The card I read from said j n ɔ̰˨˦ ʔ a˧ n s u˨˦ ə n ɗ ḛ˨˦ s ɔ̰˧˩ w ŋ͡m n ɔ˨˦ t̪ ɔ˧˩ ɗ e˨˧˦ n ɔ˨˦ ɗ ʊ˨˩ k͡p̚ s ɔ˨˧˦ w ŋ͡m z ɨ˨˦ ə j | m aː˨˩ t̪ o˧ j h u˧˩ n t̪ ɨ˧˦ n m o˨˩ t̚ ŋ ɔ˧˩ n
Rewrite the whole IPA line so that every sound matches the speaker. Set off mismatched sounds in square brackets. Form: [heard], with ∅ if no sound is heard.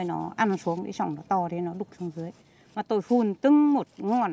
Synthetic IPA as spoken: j n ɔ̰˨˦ ʔ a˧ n s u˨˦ ə [ŋ] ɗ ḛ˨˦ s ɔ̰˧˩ w ŋ͡m n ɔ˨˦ t̪ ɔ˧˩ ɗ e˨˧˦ n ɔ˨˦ ɗ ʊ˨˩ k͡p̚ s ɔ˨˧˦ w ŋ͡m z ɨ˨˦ ə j | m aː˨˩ t̪ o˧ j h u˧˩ n t̪ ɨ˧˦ [ŋ] m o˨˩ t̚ ŋ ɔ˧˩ n